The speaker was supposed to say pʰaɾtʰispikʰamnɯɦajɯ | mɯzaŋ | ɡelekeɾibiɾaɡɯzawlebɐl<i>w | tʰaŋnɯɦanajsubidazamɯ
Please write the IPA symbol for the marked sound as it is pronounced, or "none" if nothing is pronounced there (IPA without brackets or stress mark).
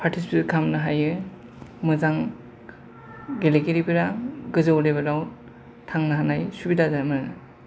a